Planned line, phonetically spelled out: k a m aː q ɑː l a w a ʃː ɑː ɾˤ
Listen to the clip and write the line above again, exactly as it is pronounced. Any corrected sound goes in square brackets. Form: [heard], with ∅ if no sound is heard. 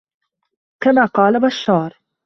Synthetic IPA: k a m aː q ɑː l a [b] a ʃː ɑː ɾˤ